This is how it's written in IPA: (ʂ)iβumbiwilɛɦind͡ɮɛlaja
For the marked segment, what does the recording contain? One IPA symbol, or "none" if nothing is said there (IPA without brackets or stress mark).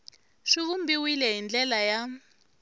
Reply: ʂ